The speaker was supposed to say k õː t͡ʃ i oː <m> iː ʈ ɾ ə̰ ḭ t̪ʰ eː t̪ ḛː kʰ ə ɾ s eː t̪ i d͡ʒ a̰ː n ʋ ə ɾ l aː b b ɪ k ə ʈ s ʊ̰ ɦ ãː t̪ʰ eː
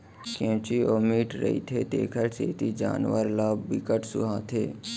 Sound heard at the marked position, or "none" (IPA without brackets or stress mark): m